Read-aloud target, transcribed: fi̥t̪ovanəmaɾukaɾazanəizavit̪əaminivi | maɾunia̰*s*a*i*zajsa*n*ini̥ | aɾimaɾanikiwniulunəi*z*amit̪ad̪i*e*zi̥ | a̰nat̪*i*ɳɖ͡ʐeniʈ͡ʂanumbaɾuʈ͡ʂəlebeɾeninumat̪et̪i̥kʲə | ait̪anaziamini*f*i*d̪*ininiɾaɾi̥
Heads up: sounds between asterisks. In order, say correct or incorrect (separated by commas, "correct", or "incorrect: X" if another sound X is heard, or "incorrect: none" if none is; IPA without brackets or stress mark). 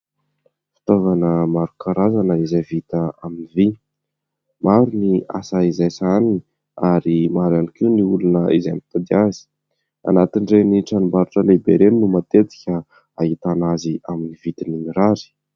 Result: correct, correct, correct, correct, incorrect: a, correct, incorrect: v, incorrect: t̪